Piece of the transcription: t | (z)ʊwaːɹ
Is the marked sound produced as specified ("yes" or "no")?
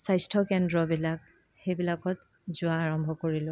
yes